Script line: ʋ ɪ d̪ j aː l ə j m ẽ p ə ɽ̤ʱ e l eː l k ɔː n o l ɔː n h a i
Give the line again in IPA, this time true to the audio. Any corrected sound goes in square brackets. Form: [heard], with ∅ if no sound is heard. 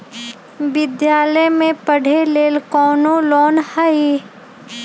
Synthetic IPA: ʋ ɪ d̪ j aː l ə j m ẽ p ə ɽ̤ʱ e l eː l k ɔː n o l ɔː n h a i